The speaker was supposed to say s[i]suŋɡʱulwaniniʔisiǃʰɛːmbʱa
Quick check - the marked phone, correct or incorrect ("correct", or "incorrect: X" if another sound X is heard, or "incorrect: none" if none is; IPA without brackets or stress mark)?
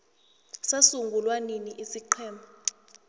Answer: incorrect: a